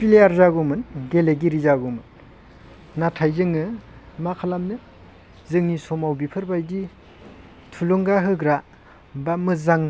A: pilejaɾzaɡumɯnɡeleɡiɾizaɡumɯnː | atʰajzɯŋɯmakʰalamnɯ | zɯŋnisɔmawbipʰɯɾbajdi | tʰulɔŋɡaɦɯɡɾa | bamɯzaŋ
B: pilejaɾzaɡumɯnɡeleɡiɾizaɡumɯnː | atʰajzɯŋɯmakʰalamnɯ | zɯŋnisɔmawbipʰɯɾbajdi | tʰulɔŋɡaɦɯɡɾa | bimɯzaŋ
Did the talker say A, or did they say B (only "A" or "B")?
A